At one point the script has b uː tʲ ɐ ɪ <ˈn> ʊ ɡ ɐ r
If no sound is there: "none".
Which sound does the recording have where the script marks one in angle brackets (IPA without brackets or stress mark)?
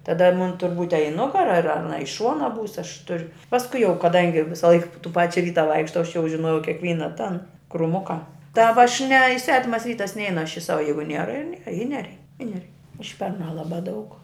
n